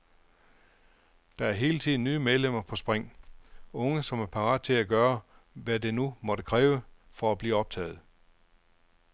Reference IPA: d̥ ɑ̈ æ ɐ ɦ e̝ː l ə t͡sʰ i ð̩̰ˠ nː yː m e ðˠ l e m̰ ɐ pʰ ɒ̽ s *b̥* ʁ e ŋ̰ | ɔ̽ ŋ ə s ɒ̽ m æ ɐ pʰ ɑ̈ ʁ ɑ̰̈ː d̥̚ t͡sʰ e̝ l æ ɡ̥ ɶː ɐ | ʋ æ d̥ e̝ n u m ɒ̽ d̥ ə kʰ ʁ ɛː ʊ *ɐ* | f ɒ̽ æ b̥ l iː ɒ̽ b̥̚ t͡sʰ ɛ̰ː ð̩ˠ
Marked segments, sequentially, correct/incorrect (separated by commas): correct, incorrect